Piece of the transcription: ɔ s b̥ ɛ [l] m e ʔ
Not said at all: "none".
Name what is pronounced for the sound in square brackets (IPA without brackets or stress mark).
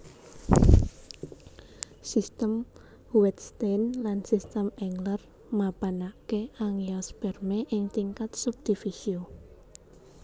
r